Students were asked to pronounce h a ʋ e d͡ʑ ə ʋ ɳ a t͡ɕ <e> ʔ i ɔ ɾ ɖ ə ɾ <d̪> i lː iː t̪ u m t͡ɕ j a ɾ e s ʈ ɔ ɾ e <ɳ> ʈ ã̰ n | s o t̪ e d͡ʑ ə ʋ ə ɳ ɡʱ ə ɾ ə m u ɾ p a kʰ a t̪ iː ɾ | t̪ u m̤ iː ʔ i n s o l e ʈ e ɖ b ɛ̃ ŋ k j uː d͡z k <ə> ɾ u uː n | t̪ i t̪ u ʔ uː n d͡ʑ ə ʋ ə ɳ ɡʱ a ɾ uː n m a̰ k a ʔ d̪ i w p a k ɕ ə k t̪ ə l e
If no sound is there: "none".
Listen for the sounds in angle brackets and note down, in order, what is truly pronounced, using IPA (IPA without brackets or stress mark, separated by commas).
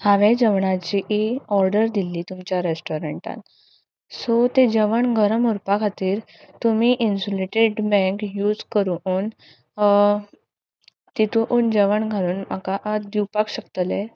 i, d̪, ɳ, ə